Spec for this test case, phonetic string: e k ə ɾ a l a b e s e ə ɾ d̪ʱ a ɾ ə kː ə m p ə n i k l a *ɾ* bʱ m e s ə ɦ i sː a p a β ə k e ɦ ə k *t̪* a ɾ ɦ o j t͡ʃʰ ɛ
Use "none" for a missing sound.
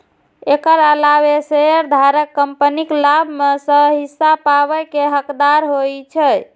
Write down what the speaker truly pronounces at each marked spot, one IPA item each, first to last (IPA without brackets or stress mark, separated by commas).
none, d̪